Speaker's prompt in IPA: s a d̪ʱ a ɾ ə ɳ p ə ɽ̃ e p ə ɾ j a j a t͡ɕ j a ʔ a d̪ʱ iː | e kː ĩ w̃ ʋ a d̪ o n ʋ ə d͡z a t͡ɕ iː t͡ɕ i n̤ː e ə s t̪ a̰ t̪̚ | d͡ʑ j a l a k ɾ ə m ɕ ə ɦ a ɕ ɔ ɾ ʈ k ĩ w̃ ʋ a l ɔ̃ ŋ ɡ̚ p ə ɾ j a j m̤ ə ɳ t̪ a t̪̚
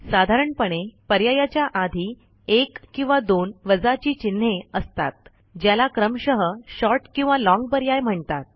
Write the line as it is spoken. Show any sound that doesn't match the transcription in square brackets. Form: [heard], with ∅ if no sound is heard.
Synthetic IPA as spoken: s a d̪ʱ a ɾ ə ɳ p ə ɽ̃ e p ə ɾ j a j a t͡ɕ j a ʔ a d̪ʱ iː | e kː ĩ w̃ ʋ a d̪ o n ʋ ə d͡z a t͡ɕ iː t͡ɕ i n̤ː e ə s t̪ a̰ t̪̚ | d͡ʑ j a l a k ɾ ə m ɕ ə ɦ [ə] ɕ ɔ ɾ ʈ k ĩ w̃ ʋ a l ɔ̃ ŋ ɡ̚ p ə ɾ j a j m̤ ə ɳ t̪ a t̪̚